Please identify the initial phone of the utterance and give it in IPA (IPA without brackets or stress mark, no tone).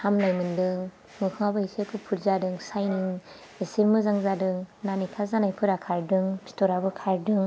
h